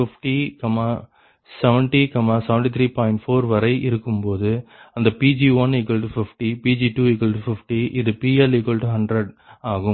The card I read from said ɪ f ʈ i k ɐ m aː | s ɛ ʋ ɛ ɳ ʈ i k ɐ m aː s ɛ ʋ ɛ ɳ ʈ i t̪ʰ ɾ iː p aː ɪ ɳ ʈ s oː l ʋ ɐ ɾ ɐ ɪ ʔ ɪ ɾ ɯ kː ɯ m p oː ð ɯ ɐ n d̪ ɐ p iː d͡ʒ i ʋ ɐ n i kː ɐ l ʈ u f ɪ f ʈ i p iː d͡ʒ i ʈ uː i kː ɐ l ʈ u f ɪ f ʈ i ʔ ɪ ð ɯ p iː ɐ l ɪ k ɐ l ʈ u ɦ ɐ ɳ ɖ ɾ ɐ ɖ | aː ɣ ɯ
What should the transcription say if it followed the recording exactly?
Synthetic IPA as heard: ɪ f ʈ i k ɐ m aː | s ɛ ʋ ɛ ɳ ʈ i k ɐ m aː s ɛ ʋ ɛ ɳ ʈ i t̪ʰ ɾ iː p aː ɪ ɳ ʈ f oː ɾ ʋ ɐ ɾ ɐ ɪ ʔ ɪ ɾ ɯ kː ɯ m p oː ð ɯ ɐ n d̪ ɐ p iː d͡ʒ i ʋ ɐ n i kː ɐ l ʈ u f ɪ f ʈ i p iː d͡ʒ i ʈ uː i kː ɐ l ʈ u f ɪ f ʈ i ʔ ɪ ð ɯ p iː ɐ l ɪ k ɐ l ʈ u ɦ ɐ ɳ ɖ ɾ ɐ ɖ | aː ɣ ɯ